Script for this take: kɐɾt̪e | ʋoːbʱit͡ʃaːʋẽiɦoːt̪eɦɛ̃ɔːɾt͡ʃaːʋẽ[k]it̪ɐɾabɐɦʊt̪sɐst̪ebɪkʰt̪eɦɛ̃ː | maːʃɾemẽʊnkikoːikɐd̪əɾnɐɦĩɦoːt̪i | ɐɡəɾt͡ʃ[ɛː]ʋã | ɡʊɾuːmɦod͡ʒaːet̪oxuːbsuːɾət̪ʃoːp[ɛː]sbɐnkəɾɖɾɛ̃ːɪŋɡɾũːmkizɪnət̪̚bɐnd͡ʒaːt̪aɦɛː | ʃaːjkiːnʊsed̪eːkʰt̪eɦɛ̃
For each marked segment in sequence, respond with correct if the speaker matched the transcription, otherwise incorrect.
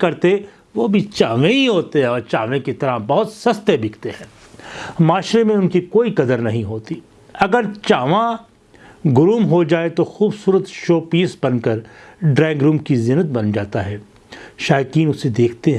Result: correct, incorrect: aː, incorrect: iː

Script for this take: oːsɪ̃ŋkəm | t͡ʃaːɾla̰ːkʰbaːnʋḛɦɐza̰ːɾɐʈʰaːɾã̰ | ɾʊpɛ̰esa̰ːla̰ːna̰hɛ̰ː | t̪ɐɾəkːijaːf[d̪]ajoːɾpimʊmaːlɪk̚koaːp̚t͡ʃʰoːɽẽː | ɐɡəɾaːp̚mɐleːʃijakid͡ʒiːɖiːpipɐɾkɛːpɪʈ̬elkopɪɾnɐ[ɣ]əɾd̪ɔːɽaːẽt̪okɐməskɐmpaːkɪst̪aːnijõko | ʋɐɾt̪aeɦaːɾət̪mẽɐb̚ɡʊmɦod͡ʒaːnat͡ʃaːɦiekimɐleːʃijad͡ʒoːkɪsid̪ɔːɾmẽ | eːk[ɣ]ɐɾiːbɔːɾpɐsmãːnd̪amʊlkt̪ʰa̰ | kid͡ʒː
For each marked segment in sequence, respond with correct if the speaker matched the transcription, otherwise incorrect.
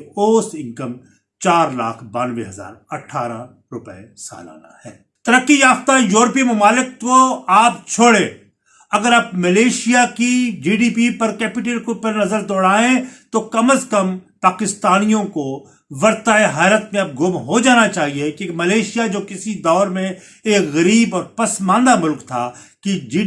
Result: incorrect: t̪, incorrect: z, correct

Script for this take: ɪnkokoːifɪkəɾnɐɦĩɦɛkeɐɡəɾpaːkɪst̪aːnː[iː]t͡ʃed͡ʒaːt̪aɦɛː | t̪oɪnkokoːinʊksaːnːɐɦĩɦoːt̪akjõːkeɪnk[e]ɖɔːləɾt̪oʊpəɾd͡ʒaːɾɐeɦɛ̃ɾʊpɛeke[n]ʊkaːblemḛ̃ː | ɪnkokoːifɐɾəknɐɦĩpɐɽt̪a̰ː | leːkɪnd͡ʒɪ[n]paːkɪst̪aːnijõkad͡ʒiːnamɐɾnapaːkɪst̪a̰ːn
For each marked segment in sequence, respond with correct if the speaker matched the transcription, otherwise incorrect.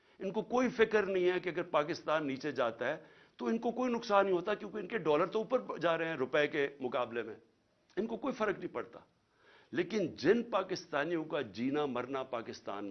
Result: correct, correct, incorrect: m, correct

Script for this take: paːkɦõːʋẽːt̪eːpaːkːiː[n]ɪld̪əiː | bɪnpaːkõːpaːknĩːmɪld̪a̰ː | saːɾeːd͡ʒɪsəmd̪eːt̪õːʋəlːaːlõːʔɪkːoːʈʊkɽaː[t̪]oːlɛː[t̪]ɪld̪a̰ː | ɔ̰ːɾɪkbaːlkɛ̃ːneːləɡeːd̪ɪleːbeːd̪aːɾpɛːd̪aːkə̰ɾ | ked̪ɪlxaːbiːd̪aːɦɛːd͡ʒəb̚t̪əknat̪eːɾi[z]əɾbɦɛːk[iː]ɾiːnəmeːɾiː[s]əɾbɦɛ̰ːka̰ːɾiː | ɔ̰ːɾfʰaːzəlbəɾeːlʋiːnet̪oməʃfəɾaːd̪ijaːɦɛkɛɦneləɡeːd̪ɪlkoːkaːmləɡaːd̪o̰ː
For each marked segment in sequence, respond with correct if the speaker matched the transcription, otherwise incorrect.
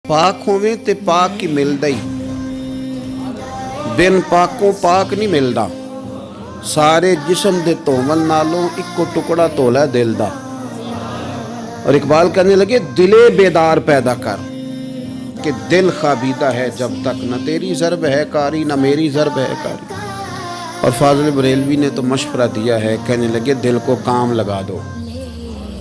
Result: incorrect: m, correct, incorrect: d̪, correct, incorrect: aː, incorrect: z

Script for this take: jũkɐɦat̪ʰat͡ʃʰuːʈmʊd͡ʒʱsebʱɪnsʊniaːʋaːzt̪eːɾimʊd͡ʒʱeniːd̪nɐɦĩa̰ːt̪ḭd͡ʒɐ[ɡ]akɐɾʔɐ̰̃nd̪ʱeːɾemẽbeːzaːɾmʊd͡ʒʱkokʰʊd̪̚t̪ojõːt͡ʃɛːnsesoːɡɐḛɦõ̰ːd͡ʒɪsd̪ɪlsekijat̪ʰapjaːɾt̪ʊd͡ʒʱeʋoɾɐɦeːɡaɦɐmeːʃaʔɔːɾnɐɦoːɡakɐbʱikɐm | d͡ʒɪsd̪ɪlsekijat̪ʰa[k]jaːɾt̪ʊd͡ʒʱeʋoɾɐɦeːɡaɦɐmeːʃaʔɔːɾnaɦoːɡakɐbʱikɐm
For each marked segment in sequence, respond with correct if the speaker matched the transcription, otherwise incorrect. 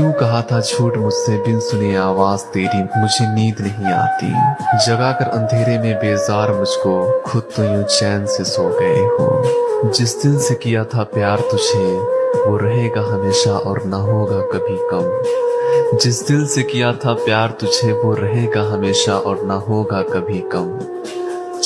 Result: correct, incorrect: p

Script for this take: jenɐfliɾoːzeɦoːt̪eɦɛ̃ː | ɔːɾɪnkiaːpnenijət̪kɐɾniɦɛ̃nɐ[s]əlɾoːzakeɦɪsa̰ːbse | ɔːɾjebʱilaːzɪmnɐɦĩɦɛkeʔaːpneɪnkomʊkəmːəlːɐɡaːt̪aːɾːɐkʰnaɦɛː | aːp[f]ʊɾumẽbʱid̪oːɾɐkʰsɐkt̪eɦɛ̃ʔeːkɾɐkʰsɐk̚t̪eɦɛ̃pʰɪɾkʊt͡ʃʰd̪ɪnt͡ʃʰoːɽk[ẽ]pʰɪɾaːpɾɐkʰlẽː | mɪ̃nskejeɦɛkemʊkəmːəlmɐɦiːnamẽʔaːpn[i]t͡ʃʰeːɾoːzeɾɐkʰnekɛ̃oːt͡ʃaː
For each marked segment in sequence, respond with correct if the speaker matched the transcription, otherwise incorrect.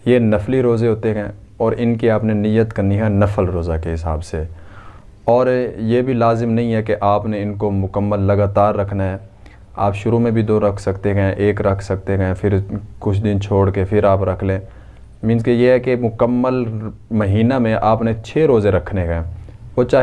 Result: incorrect: f, incorrect: ʃ, incorrect: e, incorrect: e

